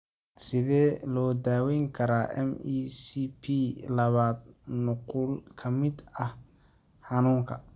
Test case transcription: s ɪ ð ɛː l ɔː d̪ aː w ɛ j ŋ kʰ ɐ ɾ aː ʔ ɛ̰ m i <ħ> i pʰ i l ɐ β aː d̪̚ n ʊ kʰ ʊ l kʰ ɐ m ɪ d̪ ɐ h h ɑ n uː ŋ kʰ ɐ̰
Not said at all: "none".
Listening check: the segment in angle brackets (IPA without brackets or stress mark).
s